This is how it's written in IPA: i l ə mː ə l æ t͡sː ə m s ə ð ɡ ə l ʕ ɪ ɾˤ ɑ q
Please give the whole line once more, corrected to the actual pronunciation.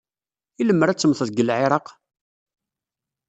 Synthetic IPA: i l ə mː ə ɾ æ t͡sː ə m θ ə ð ɡ ə l ʕ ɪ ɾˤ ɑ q